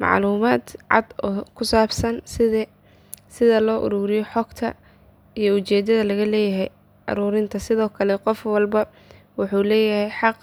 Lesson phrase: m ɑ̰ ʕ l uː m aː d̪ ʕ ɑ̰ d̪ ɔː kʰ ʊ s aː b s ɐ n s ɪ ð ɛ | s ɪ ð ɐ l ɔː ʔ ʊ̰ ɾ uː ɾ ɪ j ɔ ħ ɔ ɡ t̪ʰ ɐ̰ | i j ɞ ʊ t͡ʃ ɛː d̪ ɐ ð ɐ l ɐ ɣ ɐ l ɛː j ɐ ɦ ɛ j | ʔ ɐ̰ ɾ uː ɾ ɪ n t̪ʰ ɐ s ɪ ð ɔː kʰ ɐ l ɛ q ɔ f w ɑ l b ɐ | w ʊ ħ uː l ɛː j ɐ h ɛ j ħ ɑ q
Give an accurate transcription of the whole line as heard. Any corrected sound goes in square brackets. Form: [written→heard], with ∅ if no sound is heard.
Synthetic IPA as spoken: m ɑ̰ ʕ l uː m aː d̪ ʕ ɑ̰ d̪ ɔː kʰ ʊ s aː b s ɐ n s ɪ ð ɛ | s ɪ ð ɐ l ɔː ʔ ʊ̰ ɾ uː ɾ ɪ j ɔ ħ ɔ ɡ t̪ʰ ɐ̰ | i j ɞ ʊ t͡ʃ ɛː d̪ ɐ ð ɐ l ɐ ɣ ɐ l ɛː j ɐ ɦ ɛ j | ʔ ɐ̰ ɾ uː ɾ ɪ n t̪ʰ ɐ s ɪ ð ɔː kʰ ɐ l ɛ q ɔ f w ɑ l b ɐ | w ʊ ħ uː l ɛː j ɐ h ɛ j ħ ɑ q